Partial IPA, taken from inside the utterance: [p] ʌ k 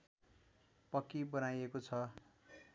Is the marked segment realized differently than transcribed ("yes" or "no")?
no